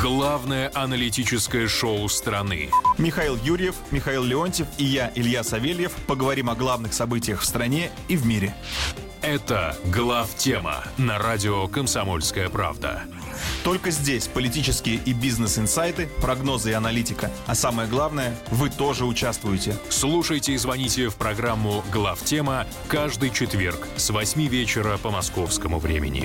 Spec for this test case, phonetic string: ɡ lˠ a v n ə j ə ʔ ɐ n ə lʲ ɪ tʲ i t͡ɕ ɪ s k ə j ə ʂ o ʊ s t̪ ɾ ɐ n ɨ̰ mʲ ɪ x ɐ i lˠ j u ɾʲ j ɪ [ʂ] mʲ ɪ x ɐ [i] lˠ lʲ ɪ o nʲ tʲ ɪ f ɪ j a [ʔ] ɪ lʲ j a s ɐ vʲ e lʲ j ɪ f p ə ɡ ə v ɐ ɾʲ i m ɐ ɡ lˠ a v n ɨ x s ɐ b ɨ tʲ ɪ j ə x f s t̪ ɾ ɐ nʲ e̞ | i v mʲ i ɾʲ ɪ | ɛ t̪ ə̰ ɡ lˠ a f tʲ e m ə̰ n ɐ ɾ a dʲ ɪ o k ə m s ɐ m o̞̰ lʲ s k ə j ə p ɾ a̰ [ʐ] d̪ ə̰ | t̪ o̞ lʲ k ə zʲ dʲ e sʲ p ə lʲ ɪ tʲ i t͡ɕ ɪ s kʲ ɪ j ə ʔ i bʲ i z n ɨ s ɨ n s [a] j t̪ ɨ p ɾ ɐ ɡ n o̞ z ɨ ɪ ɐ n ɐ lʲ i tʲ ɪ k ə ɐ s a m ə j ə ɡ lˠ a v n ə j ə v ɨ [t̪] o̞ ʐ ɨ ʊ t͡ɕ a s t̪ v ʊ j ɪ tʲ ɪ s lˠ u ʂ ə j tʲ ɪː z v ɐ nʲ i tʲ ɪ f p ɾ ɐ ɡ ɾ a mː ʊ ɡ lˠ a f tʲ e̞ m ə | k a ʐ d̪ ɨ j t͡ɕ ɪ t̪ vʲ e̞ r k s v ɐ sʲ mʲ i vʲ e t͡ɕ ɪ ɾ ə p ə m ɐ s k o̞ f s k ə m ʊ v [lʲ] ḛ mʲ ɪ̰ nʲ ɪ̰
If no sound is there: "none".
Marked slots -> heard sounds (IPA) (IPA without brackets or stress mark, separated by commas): f, i, ʔ, v, a, t̪, ɾʲ